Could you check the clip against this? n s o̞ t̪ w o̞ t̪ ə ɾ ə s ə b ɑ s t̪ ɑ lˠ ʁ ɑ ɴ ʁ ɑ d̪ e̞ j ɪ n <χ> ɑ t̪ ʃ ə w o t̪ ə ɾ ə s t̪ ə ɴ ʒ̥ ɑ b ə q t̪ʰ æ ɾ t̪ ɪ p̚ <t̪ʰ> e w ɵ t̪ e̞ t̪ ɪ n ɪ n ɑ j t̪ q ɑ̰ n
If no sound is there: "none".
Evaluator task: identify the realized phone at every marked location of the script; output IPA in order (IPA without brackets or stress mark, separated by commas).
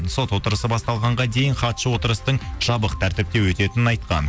χ, t̪